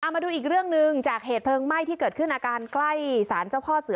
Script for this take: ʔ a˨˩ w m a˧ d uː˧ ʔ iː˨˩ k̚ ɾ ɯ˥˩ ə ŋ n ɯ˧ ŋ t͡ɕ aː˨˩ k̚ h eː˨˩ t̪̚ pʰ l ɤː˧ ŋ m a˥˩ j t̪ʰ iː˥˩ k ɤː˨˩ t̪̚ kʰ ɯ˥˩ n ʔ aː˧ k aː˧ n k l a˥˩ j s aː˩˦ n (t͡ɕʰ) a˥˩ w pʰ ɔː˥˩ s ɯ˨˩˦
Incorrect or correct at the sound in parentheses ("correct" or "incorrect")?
incorrect